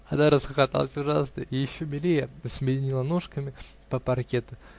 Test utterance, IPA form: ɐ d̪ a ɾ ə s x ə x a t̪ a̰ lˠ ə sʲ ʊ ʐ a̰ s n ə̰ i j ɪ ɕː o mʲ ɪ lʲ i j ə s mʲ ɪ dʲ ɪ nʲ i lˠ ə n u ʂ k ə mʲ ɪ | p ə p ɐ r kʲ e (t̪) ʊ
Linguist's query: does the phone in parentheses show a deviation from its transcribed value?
no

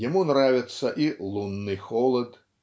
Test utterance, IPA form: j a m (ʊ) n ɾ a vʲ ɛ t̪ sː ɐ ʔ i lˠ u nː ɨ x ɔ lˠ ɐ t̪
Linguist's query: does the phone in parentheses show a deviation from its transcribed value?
yes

